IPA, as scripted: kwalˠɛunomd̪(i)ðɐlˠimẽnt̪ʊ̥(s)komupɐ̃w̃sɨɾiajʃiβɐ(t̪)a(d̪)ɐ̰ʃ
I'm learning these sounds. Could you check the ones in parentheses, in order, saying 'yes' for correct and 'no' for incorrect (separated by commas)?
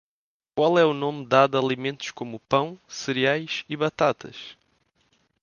no, no, yes, no